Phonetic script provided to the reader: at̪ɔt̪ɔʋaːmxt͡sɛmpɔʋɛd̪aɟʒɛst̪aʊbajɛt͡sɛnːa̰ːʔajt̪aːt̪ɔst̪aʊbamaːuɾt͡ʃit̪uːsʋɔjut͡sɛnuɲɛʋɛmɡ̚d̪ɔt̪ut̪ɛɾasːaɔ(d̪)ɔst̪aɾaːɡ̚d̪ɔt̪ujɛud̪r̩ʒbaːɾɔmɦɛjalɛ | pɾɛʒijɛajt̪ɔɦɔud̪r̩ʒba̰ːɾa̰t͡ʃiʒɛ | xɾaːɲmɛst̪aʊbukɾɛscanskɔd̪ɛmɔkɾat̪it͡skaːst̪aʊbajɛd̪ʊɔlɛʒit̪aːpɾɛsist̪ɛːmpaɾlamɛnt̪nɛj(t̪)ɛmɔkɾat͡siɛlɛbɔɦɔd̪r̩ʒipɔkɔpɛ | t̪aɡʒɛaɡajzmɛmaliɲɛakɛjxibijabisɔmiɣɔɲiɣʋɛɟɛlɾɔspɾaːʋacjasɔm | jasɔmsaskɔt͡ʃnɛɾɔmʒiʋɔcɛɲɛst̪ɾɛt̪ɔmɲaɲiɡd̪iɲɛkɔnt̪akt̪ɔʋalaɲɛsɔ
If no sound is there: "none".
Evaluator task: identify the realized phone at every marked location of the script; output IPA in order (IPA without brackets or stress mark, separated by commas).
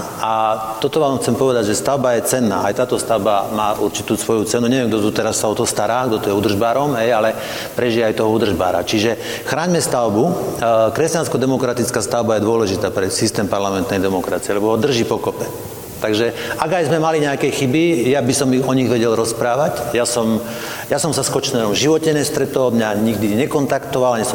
t̪, d̪